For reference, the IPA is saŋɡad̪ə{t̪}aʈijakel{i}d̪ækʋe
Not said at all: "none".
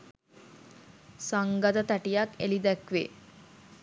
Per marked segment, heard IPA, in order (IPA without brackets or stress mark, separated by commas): t̪, i